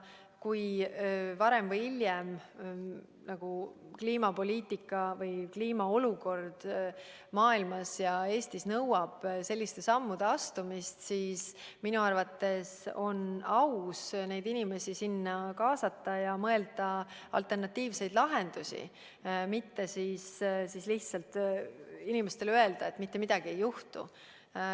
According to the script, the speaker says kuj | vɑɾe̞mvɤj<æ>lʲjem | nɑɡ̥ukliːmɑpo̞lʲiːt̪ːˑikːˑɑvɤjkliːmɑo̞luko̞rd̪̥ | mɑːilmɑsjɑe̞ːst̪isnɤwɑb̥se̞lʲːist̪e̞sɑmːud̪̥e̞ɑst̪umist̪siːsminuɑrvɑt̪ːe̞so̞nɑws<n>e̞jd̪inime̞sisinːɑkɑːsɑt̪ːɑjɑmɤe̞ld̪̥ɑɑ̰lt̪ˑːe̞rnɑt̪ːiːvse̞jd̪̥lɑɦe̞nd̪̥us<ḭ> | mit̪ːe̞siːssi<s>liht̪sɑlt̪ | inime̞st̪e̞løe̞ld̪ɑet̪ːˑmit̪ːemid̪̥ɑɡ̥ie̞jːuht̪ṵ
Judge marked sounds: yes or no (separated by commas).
no, yes, yes, yes